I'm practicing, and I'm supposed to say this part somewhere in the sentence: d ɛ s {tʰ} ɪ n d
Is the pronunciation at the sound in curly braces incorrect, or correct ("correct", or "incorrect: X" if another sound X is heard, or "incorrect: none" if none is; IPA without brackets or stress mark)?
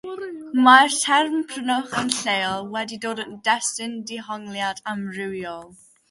incorrect: t